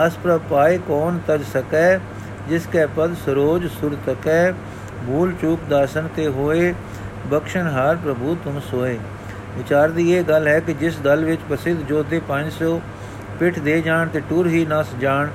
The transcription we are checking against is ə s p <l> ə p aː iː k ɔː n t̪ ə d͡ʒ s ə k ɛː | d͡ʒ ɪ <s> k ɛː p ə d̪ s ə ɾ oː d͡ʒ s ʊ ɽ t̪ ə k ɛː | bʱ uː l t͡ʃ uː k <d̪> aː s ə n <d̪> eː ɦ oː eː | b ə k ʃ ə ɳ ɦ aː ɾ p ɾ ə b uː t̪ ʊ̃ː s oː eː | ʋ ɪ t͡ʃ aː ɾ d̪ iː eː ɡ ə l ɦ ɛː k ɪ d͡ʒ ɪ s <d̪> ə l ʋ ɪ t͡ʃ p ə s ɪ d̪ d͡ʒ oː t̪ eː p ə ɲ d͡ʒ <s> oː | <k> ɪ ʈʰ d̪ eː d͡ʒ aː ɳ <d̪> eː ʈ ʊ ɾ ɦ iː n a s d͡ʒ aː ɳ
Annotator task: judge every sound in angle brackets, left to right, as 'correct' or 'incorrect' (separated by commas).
incorrect, correct, correct, incorrect, correct, correct, incorrect, incorrect